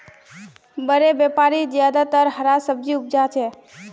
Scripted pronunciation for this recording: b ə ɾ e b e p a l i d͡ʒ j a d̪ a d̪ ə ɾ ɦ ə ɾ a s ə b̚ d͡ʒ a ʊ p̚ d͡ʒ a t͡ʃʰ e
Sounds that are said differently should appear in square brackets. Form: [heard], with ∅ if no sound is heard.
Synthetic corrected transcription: b ə ɾ e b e p a [ɾ] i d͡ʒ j a d̪ a [t̪] ə ɾ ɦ ə ɾ a s ə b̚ d͡ʒ [i] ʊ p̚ d͡ʒ a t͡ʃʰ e